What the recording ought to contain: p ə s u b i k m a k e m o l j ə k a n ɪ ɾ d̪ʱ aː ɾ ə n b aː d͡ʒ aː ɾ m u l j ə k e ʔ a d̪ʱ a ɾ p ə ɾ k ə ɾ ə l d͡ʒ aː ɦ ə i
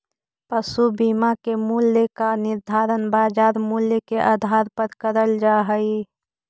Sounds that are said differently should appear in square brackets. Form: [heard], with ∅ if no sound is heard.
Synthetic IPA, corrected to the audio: p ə s u b i [∅] m a k e m [u] l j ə k a n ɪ ɾ d̪ʱ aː ɾ ə n b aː d͡ʒ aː ɾ m u l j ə k e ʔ a d̪ʱ a ɾ p ə ɾ k ə ɾ ə l d͡ʒ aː ɦ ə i